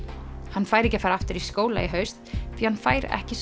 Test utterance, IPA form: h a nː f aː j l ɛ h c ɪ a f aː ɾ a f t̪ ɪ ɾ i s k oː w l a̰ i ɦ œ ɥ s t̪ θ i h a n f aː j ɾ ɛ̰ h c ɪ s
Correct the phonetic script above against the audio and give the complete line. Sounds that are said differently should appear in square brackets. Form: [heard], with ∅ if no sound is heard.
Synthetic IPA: h a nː f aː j [ɾ] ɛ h c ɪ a f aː ɾ a f t̪ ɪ ɾ i s k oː w l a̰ i ɦ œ ɥ s t̪ θ i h a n f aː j ɾ ɛ̰ h c ɪ s